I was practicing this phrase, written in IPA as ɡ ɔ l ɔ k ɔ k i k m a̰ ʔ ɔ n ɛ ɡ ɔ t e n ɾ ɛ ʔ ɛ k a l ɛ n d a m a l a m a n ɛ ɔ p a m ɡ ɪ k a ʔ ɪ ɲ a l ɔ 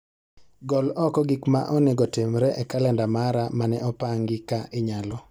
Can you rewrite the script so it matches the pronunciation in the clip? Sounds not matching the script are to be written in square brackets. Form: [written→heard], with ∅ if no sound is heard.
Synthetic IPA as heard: ɡ ɔ l ɔ k ɔ [k→ɡ] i k m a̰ ʔ ɔ n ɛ ɡ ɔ t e [n→m] ɾ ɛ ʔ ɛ k a l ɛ n d a m a [l→ɾ] a m a n ɛ ɔ p a [m→ŋ] ɡ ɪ k a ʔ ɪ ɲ a l ɔ